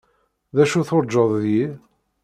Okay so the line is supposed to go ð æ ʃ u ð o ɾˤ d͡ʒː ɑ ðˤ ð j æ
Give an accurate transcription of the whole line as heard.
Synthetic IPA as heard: ð æ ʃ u θ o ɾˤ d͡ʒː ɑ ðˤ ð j i